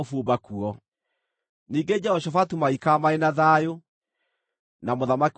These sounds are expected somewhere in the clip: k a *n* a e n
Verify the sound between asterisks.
incorrect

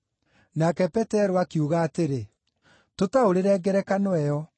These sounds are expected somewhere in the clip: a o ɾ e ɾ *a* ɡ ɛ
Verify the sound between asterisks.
incorrect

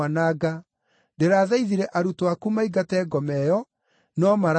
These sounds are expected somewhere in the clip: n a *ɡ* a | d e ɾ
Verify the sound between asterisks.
correct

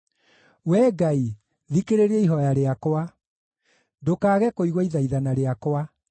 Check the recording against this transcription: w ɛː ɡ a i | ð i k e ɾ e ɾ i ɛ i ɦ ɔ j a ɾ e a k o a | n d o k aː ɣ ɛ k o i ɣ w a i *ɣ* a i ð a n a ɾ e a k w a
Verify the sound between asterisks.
incorrect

